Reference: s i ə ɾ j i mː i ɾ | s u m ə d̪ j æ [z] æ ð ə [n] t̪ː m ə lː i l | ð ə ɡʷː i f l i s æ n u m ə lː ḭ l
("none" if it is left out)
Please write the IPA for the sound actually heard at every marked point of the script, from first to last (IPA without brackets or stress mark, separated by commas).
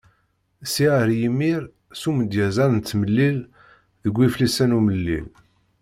z, n